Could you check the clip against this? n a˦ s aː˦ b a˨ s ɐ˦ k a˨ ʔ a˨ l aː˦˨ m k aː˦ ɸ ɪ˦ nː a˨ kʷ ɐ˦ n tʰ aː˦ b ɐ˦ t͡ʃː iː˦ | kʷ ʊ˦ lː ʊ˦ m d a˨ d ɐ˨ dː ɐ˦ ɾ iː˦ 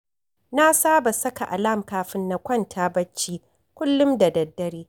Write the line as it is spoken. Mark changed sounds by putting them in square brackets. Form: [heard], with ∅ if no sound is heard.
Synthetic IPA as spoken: n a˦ s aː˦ b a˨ s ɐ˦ k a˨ ʔ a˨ l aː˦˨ m k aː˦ ɸ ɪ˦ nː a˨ kʷ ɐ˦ n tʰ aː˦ b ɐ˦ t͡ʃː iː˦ | kʷ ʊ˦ lː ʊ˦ m d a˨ d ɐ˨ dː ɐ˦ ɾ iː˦